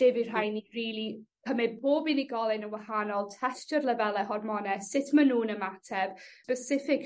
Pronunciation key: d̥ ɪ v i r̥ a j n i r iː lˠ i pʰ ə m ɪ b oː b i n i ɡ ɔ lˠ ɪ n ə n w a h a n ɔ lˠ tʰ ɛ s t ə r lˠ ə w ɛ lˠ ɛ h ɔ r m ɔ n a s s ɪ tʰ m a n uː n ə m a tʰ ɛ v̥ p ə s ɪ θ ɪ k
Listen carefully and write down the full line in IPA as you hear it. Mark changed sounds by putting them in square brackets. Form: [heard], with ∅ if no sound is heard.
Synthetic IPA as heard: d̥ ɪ v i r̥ a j n i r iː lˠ i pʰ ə m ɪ b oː b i n i ɡ ɔ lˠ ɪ n ə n w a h a n ɔ lˠ tʰ ɛ s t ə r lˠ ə [v] ɛ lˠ ɛ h ɔ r m ɔ n [ɛ] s s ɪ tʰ m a n uː n ə m a tʰ ɛ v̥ p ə s ɪ [f] ɪ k